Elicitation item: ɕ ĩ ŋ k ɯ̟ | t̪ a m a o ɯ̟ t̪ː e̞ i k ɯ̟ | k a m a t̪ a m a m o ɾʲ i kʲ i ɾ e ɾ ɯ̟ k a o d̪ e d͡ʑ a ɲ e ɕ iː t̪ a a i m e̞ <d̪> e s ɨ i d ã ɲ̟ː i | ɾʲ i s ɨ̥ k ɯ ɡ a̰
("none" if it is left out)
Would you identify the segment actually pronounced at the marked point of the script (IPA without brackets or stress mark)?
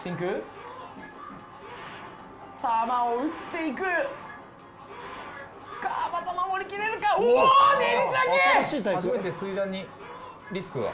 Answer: t̪